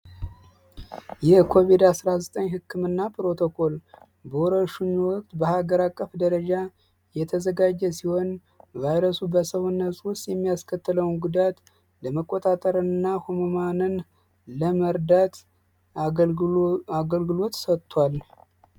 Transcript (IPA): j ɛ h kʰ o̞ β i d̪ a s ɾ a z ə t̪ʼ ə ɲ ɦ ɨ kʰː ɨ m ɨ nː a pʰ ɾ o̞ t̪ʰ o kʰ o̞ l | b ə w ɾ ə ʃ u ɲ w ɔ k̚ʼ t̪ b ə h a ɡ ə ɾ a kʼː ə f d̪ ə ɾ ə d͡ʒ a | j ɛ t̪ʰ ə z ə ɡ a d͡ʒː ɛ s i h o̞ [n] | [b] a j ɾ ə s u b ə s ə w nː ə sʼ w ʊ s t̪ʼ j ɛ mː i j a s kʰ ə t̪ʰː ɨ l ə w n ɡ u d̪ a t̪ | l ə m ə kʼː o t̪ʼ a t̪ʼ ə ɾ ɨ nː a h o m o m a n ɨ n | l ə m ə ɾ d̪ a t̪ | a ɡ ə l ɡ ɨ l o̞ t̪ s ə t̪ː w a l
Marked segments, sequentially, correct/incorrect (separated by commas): correct, incorrect